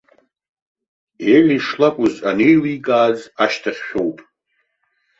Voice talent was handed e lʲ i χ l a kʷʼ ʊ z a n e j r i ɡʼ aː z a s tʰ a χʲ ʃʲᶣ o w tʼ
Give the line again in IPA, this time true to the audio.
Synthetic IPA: e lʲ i ʂ l a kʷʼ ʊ z a n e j l i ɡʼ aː z a ʃ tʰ a χʲ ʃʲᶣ o w pʼ

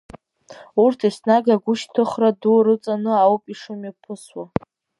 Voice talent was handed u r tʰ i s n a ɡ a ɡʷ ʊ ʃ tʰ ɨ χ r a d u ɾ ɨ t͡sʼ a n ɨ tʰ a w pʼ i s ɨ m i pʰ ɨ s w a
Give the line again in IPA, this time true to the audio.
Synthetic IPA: u r tʰ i s n a ɡ a ɡʷ ʊ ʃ tʰ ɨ χ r a d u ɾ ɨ t͡sʼ a n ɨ a w pʼ i ʂ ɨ m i pʰ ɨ s w a

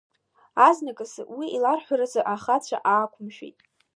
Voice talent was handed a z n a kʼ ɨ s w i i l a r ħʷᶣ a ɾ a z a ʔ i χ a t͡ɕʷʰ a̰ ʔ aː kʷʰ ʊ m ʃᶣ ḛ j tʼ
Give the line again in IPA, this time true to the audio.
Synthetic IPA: a z n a kʼ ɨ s w i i l a r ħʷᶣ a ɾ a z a ʔ a χ a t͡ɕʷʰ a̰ ʔ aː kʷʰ ʊ m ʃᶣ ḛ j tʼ

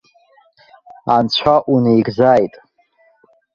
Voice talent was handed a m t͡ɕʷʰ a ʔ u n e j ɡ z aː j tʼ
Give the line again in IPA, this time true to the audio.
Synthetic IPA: a n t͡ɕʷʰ a ʔ u n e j ɡ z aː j tʼ

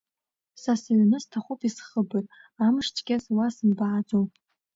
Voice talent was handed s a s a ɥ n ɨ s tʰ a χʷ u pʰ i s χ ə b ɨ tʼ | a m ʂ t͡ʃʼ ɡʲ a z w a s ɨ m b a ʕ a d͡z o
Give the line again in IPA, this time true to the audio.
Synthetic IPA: s a s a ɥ n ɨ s tʰ a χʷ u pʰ i s χ ə b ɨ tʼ | a m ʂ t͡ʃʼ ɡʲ a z w a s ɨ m b a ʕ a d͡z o

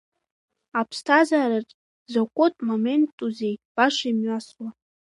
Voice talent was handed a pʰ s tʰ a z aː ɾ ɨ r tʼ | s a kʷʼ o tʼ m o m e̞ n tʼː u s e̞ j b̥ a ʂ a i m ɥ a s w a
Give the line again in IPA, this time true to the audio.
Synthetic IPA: a pʰ s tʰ a z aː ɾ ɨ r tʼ | z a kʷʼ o tʼ m o m e̞ n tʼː u z e̞ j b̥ a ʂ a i m ɥ a s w a

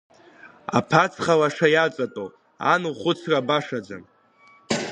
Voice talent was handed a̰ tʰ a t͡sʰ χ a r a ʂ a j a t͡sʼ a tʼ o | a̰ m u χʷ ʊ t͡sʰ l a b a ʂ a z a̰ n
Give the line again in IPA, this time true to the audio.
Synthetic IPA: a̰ pʰ a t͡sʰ χ a l a ʂ a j a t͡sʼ a tʼ o | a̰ n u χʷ ʊ t͡sʰ r a b a ʂ a d͡z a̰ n

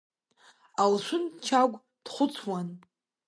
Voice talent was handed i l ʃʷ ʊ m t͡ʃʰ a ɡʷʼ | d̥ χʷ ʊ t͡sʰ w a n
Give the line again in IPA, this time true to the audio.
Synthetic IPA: a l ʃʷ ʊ n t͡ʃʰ a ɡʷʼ | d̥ χʷ ʊ t͡sʰ w a n

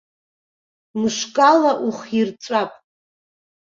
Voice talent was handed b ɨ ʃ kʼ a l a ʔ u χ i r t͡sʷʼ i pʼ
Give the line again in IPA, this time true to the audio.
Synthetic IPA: m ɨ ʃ kʼ a l a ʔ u χ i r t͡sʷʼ a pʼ

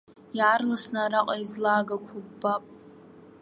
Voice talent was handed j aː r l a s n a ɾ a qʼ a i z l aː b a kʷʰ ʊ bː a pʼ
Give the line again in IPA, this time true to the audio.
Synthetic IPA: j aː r l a s n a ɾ a qʼ a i z l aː ɡ a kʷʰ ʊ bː a pʼ

